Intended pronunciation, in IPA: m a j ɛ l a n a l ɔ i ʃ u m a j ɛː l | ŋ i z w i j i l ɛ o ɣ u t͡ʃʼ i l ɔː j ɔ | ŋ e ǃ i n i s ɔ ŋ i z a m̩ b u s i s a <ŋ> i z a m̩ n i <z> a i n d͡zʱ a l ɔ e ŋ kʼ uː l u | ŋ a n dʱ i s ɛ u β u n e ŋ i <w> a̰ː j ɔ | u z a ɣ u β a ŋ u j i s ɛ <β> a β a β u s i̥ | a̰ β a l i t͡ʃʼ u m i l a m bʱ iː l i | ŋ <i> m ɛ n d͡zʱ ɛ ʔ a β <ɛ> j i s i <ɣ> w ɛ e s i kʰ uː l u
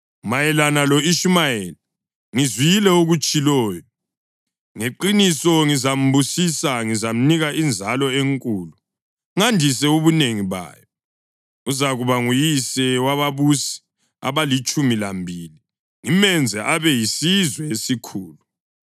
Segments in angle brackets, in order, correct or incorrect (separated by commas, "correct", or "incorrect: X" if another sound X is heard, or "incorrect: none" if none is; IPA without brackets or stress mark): correct, incorrect: ɣ, incorrect: β, incorrect: w, correct, correct, incorrect: z